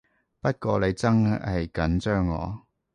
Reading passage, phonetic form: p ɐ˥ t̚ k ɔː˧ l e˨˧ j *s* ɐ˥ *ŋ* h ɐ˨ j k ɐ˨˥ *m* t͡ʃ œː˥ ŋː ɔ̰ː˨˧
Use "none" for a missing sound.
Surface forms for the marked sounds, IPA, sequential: t͡s, ŋ, n

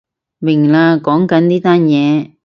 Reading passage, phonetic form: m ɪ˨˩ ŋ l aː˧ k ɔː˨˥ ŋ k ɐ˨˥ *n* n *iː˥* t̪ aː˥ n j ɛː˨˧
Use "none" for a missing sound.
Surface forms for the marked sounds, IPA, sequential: n, iː˥

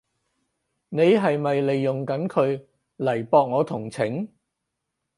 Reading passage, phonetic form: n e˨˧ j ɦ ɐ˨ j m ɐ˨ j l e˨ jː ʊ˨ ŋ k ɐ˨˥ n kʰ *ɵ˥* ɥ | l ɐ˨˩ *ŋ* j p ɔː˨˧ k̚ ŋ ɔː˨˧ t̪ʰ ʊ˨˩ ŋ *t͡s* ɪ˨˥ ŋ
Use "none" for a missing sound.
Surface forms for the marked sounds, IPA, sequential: ɵ˨˧, none, t͡sʰ

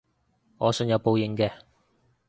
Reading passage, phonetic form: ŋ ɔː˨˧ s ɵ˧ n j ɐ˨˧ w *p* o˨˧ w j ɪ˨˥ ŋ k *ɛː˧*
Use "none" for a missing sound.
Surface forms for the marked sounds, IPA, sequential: p, ɛː˧

